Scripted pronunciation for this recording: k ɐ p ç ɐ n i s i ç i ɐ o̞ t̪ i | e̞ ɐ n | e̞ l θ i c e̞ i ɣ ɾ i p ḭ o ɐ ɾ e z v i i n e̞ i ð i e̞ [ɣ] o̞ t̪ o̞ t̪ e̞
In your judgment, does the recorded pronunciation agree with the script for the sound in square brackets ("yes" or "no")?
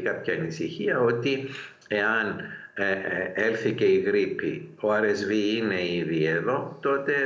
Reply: no